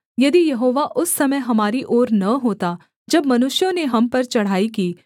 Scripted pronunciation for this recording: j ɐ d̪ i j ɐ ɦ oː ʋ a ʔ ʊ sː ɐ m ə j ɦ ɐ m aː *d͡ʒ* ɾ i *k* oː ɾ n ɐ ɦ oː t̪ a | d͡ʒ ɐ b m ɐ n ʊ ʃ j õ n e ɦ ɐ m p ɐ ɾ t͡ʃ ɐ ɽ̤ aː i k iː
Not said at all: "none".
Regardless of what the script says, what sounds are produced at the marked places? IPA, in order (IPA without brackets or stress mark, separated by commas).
none, ʔ